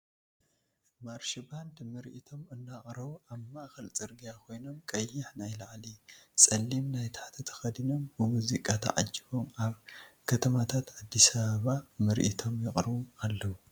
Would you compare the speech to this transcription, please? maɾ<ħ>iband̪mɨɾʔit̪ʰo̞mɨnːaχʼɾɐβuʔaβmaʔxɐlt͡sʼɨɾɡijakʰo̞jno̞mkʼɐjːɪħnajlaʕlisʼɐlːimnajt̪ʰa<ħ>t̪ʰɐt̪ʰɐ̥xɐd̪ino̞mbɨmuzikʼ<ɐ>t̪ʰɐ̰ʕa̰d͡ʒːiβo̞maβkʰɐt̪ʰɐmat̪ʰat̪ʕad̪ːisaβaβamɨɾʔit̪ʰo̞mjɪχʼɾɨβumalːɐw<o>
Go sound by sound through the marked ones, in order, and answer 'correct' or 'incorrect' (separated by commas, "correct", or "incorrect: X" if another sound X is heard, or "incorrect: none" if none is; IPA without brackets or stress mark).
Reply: incorrect: ʃ, correct, incorrect: a, incorrect: u